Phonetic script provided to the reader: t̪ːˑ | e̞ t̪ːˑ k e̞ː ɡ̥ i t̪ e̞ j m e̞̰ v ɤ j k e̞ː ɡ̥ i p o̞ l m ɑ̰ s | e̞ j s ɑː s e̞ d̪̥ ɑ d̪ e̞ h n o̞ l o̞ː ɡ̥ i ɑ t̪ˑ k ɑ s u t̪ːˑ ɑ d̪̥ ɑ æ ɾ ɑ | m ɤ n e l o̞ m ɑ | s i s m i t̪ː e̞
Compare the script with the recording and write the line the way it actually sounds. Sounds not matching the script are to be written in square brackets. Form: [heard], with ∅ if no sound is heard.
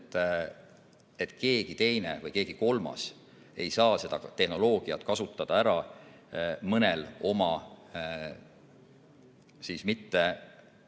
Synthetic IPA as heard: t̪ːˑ | e̞ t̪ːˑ k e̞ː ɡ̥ i t̪ e̞ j [n] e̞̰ v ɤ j k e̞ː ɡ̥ i [k] o̞ l m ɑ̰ s | e̞ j s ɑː s e̞ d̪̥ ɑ [t̪] e̞ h n o̞ l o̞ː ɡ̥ i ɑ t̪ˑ k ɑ s u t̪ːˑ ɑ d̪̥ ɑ æ ɾ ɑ | m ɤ n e l o̞ m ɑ | s i s m i t̪ː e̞